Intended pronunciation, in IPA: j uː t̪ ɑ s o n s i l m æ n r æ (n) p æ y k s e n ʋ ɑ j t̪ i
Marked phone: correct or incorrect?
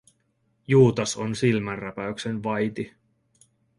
incorrect